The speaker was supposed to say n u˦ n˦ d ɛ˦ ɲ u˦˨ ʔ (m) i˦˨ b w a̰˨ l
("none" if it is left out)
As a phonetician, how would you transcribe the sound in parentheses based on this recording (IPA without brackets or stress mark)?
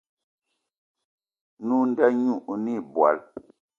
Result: n